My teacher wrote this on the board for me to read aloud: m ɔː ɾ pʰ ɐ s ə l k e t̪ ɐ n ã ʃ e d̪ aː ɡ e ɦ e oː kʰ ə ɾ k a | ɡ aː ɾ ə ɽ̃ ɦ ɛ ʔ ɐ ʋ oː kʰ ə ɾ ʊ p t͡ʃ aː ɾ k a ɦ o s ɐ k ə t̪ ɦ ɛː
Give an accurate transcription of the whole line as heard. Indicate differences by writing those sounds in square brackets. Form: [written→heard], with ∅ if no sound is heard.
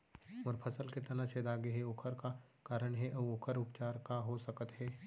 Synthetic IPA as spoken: m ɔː ɾ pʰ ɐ s ə l k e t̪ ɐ n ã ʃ e d̪ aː ɡ e ɦ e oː kʰ ə ɾ k a | [ɡ→k] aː ɾ ə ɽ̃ ɦ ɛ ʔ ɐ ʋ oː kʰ ə ɾ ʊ p t͡ʃ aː ɾ k a ɦ o s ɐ k ə t̪ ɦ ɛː

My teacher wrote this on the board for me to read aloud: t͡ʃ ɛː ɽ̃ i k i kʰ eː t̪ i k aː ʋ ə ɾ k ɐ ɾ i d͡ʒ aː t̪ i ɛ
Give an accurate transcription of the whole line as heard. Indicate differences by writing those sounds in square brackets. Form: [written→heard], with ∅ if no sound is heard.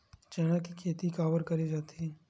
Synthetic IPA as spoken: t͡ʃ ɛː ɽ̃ [i→a] k i kʰ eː t̪ i k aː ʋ ə ɾ k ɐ ɾ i d͡ʒ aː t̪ i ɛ

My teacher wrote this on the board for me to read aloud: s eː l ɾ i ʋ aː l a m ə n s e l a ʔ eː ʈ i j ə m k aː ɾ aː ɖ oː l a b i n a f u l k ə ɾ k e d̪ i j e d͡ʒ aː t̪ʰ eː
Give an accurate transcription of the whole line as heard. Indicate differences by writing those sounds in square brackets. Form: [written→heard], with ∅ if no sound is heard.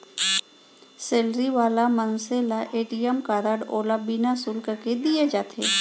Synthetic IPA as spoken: s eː l ɾ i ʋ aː l a m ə n s e l a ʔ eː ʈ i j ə m k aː ɾ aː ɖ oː l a b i n a [f→s] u l k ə ɾ k e d̪ i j e d͡ʒ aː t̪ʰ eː

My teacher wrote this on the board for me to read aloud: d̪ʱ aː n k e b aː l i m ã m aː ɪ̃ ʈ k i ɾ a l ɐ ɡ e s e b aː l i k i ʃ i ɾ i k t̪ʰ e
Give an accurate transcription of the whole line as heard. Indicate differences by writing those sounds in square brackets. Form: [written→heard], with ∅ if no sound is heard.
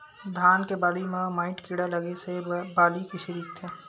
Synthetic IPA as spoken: d̪ʱ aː n k e b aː l i m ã m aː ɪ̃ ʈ k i [ɾ→ɽ] a l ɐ ɡ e s e b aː l i k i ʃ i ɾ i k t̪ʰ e

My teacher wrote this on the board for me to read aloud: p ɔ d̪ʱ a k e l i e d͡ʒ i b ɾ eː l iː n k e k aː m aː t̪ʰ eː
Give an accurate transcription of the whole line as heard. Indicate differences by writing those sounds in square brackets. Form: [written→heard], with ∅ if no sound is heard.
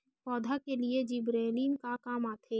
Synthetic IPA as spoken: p [ɔ→ɔː] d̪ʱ a k e l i e d͡ʒ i b ɾ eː l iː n k [e→a] k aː m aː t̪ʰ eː

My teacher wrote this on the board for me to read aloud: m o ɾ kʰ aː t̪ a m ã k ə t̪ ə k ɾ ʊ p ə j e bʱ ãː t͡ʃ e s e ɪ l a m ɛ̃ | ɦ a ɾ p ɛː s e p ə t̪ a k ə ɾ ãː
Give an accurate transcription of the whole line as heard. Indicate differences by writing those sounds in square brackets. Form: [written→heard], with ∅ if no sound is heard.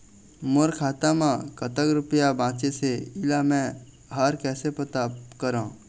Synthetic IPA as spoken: m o ɾ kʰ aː t̪ a m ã k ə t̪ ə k ɾ ʊ p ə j [e→a] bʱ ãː t͡ʃ e s e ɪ l a m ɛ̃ | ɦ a ɾ [p→k] ɛː s e p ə t̪ a k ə ɾ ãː

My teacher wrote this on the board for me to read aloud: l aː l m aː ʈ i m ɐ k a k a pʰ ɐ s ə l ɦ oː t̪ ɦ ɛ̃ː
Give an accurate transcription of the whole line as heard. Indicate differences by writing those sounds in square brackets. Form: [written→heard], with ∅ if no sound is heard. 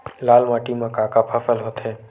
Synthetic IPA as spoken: l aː l m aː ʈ i m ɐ k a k a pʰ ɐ [s→f] ə l ɦ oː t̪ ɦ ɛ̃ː

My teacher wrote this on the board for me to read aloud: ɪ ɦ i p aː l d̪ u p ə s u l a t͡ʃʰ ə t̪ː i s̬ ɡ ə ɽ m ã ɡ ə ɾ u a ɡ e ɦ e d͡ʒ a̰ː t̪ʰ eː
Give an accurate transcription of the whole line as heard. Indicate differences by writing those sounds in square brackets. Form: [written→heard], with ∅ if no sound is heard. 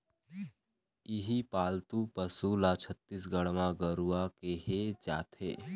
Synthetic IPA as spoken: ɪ ɦ i p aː l [d̪→t̪] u p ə s u l a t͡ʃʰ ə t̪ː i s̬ ɡ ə ɽ m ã ɡ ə ɾ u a [ɡ→k] e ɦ e d͡ʒ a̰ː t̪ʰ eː

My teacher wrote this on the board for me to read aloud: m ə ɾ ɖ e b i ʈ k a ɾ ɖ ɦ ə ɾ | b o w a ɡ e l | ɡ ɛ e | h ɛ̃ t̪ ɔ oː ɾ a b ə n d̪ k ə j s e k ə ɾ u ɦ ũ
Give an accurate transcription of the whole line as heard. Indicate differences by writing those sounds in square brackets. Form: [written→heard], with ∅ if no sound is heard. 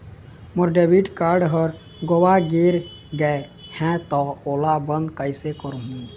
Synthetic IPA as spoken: m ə ɾ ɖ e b i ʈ k a ɾ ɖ ɦ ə ɾ | [b→ɡ] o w a ɡ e [l→ɾ] | ɡ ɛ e | h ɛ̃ t̪ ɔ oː [ɾ→l] a b ə n d̪ k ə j s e k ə ɾ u ɦ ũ

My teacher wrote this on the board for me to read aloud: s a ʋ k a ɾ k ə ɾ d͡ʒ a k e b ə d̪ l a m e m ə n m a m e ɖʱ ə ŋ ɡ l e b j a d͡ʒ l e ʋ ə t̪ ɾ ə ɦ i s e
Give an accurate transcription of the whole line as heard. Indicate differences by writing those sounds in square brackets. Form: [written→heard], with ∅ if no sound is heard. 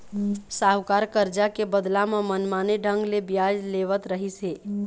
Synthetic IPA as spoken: s a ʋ k a ɾ k ə ɾ d͡ʒ a k e b ə d̪ l a m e m ə n m a [m→n] e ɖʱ ə ŋ ɡ l e b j a d͡ʒ l e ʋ ə t̪ ɾ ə ɦ i s e

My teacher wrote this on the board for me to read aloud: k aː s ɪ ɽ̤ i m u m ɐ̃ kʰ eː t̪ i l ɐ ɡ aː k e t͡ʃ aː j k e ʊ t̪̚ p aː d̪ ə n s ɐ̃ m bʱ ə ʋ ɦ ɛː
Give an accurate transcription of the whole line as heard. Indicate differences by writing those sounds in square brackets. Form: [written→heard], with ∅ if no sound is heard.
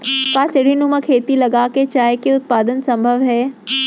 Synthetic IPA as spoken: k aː s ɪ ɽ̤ i [m→n] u m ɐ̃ kʰ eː t̪ i l ɐ ɡ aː k e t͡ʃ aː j k e ʊ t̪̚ p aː d̪ ə n s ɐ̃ m bʱ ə ʋ ɦ ɛː

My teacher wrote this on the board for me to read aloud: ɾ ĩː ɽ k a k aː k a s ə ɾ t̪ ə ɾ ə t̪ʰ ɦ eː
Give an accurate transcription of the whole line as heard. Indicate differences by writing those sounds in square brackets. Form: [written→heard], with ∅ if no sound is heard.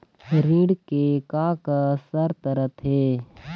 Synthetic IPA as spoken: ɾ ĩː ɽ k [a→e] k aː k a s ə ɾ t̪ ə ɾ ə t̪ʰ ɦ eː

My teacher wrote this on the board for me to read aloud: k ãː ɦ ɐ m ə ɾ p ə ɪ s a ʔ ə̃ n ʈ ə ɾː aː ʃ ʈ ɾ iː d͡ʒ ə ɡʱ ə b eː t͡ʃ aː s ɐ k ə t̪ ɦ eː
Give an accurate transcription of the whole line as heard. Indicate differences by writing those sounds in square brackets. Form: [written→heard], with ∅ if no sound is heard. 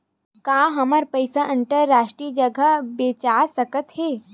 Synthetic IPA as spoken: k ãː ɦ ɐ m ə ɾ p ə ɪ s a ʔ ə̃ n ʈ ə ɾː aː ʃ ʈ ɾ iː d͡ʒ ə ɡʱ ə b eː t͡ʃ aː s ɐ k ə t̪ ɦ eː

